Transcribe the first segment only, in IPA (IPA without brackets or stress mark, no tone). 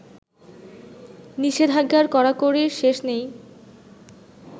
n